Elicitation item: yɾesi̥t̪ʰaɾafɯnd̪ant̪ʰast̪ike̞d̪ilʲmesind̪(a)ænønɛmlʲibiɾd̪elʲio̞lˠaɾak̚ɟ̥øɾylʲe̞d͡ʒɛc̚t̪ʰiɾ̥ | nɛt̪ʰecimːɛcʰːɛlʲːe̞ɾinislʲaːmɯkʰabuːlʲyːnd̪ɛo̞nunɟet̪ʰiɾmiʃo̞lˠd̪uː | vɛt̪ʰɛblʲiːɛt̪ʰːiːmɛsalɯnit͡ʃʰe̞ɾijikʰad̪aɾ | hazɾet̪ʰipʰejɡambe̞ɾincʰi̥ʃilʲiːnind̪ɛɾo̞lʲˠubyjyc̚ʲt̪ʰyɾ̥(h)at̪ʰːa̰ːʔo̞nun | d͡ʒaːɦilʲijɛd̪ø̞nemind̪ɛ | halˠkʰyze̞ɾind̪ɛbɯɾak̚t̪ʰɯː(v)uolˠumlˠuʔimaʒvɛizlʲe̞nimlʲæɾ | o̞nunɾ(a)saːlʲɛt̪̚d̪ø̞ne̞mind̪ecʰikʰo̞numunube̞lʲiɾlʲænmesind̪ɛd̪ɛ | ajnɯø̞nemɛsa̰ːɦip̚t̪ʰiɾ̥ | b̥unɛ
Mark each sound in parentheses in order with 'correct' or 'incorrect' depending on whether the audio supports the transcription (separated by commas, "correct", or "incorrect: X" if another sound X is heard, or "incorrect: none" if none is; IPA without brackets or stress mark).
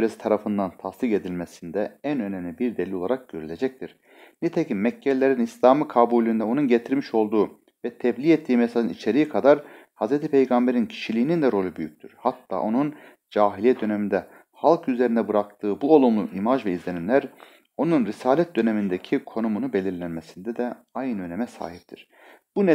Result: incorrect: ɛ, correct, incorrect: b, incorrect: i